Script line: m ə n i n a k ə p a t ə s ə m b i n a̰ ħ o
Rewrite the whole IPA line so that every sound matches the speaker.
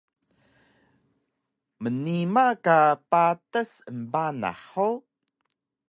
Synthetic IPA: m ə n i m a k a p a t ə s ə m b a n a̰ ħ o